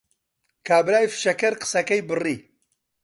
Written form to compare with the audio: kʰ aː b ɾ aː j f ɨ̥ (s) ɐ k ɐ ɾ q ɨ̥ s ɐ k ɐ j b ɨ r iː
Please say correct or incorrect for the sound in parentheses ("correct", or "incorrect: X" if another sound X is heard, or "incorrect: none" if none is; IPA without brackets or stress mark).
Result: incorrect: ʃ